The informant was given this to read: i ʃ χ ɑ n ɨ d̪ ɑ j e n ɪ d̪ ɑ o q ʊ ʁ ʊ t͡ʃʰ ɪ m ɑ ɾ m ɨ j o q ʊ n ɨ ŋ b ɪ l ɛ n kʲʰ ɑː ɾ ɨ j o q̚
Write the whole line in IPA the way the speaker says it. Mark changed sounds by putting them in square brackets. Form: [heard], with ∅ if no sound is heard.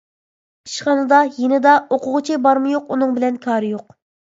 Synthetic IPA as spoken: i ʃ χ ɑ n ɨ d̪ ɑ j e n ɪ d̪ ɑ o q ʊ ʁ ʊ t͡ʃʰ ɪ [b] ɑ ɾ m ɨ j o q [u] n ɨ ŋ b ɪ l ɛ n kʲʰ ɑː ɾ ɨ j o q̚